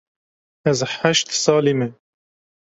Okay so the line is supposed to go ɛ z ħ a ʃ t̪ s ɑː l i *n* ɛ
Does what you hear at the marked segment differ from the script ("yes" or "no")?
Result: yes